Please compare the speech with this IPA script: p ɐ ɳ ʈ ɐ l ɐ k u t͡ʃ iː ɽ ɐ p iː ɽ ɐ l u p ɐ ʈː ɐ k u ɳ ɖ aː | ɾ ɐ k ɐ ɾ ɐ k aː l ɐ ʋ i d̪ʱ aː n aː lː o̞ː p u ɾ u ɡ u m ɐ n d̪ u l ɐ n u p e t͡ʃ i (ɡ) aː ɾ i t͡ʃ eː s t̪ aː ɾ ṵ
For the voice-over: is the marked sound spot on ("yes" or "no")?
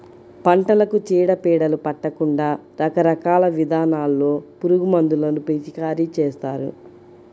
no